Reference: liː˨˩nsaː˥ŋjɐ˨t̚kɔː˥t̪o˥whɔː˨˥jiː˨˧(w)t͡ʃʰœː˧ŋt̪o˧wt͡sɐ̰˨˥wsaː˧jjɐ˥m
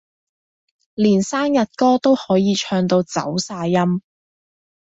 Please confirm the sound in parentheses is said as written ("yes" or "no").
no